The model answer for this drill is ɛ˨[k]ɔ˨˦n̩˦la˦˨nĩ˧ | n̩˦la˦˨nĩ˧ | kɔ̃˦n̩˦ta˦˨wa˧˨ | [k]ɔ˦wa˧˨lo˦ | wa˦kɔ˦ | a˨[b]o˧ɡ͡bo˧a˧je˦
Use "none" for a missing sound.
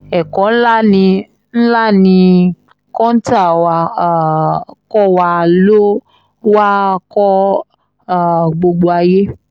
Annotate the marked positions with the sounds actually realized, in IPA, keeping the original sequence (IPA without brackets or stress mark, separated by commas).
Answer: k, k, ɡ͡b